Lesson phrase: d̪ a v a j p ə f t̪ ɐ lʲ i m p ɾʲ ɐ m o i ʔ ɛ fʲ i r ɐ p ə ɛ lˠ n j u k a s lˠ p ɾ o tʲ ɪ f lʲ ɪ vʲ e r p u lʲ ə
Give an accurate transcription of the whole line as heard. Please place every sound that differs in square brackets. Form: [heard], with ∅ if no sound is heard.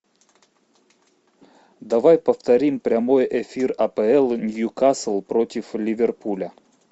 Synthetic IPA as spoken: d̪ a v a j p ə f t̪ ɐ [ɾʲ] i m p ɾʲ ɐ m o [j] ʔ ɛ fʲ i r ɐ p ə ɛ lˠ n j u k a s lˠ p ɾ o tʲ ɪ f lʲ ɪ vʲ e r p u lʲ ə